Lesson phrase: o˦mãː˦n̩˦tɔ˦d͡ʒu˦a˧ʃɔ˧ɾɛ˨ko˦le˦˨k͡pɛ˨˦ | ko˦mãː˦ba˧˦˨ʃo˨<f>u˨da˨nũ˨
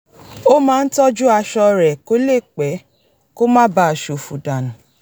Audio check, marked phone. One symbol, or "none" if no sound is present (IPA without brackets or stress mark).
f